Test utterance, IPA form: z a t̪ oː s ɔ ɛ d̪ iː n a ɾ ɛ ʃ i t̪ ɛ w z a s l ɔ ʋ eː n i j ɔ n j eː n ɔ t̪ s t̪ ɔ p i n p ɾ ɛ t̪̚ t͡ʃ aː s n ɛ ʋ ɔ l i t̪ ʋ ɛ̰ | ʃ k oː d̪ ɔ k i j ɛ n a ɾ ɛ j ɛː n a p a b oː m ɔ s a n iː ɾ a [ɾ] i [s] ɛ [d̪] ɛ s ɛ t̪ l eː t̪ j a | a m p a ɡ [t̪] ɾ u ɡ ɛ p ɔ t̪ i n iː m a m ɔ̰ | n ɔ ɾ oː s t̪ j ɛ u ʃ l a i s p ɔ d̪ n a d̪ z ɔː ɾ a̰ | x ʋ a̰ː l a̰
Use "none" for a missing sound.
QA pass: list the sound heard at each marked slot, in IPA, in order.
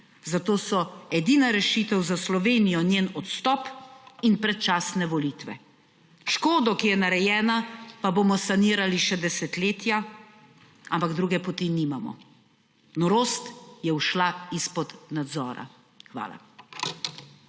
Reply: l, ʃ, d̪, d̪

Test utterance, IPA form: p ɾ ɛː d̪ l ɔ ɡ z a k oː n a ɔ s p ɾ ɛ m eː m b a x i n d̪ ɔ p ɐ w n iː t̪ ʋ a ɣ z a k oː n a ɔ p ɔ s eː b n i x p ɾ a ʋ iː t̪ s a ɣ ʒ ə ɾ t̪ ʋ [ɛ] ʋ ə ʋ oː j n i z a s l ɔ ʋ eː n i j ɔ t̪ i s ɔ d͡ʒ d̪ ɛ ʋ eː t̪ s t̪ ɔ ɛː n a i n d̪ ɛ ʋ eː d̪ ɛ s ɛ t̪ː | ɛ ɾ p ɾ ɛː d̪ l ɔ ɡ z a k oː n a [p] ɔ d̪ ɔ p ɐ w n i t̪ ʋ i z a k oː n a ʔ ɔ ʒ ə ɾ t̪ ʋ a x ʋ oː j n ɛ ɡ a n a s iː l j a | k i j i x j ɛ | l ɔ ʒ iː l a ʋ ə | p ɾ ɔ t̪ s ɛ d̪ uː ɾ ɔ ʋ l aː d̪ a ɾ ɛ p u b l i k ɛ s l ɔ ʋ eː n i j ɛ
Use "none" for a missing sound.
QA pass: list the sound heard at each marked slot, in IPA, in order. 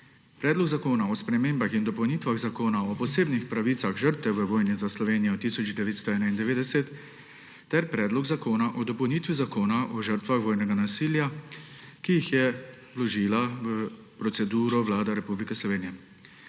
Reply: ɛ, ʔ

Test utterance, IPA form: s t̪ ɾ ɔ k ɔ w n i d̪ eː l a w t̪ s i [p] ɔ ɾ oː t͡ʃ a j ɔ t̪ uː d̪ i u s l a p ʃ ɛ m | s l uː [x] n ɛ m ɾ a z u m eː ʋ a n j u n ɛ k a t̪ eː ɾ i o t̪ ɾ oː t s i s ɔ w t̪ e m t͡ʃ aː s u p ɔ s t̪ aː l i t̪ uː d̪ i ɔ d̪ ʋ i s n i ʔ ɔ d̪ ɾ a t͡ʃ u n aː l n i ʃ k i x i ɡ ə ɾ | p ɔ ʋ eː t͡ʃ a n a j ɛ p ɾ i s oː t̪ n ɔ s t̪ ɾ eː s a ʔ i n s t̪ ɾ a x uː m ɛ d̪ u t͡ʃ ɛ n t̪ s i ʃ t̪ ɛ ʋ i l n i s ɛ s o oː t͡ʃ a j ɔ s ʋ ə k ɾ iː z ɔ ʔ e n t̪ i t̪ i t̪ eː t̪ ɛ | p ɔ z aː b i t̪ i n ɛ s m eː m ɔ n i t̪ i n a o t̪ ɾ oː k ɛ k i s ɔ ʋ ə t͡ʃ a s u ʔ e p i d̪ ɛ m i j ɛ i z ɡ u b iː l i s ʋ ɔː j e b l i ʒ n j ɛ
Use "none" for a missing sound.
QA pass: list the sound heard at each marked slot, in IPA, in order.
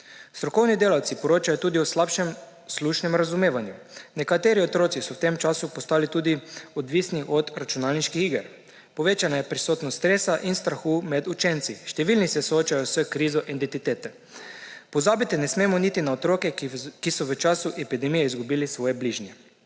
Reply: p, ʃ

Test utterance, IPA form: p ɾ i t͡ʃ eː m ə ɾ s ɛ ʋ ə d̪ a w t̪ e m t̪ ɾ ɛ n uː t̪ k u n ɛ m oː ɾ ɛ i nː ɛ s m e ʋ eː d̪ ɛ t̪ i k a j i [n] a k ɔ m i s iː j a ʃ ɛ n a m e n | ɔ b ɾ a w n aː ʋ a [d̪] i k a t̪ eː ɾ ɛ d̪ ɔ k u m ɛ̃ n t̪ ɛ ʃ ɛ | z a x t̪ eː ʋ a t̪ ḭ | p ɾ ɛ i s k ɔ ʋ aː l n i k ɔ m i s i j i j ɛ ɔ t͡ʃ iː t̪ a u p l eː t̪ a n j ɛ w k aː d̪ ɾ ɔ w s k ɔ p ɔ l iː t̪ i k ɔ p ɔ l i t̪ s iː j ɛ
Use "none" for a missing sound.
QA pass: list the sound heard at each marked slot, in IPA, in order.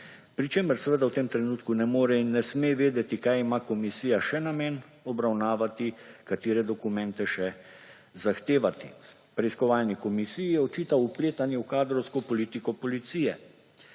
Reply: m, t̪

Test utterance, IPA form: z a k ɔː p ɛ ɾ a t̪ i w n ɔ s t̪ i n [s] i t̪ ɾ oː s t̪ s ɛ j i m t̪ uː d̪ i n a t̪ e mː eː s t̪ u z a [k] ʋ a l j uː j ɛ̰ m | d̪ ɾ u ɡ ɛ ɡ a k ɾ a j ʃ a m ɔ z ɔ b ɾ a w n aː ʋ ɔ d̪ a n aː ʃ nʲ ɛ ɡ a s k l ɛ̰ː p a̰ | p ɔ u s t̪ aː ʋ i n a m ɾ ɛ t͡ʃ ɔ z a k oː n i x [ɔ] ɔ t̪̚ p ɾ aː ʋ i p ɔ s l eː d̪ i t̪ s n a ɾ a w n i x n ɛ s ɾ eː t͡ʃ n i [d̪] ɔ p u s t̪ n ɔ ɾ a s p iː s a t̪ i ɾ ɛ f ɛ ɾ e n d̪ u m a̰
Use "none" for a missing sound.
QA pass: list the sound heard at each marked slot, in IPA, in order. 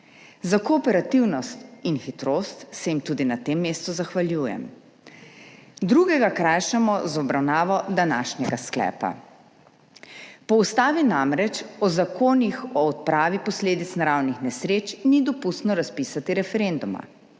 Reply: x, x, ɔ, d̪

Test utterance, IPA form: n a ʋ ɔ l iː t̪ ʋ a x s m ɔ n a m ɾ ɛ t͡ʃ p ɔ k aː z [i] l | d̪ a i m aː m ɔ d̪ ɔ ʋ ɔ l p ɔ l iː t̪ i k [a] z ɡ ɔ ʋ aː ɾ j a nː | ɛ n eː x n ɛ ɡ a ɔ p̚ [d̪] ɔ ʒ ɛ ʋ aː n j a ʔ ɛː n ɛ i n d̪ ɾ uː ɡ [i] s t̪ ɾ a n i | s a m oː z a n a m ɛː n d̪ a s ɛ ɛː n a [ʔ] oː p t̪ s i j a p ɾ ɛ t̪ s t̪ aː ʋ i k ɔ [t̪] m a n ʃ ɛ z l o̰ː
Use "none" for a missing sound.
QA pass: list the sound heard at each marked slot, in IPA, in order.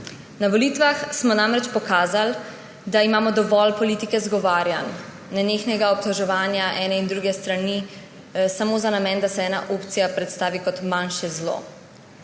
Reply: a, ɛ, t̪, ɛ, ʔ, t̪

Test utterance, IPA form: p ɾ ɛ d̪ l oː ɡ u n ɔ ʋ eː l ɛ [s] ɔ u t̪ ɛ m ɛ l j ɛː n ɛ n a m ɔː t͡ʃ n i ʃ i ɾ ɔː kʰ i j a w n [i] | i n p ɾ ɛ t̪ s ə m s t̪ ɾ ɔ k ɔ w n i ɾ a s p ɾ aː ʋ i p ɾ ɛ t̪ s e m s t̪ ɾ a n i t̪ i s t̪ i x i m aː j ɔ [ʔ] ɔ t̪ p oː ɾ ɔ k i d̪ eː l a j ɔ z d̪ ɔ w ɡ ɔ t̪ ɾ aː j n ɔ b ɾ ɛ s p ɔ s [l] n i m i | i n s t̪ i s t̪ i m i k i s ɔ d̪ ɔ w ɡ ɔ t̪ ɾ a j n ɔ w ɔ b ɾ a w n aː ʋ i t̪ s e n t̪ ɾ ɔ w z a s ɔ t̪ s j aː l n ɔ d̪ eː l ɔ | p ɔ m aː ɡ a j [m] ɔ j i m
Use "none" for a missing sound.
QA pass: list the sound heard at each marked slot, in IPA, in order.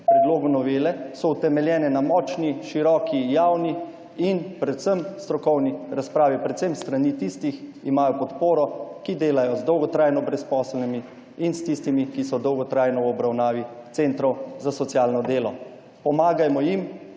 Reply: s, i, p, l, m

